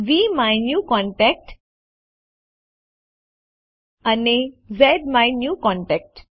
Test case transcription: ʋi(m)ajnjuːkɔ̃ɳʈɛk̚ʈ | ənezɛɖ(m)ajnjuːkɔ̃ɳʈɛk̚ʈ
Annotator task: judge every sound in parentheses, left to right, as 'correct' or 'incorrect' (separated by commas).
correct, correct